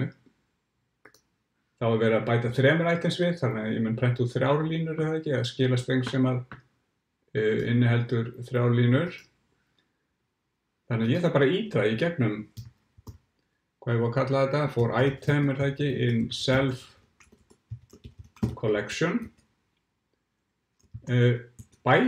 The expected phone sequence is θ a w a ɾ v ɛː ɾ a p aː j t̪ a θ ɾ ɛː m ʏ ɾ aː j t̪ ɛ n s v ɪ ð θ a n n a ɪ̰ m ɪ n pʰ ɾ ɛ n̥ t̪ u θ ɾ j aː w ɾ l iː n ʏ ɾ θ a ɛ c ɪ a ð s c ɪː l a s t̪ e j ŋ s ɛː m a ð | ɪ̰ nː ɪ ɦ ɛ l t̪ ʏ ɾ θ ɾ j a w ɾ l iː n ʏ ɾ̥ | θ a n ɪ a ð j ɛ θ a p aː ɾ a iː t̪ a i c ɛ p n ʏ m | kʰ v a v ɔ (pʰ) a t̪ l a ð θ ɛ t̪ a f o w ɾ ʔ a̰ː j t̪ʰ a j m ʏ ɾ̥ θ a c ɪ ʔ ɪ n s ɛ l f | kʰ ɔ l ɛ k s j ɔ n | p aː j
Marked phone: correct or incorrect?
incorrect